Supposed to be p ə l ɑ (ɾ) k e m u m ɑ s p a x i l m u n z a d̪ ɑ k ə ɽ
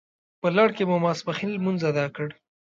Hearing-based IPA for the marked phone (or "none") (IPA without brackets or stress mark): ɽ